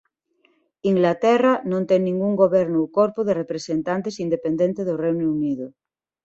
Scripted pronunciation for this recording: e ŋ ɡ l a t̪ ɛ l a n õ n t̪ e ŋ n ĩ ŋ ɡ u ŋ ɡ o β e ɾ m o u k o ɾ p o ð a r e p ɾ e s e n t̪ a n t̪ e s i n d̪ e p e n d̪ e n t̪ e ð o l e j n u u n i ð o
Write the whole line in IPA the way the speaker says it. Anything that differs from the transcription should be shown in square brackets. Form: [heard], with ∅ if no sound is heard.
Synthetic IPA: [i] ŋ ɡ l a t̪ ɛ [r] a n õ n t̪ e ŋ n ĩ ŋ ɡ u ŋ ɡ o β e ɾ [n] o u k o ɾ p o ð [e] r e p ɾ e s e n t̪ a n t̪ e s i n d̪ e p e n d̪ e n t̪ e ð o [r] e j n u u n i ð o